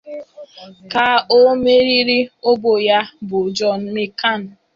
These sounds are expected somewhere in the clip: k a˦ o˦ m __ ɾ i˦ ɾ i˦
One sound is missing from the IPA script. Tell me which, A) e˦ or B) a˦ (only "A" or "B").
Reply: A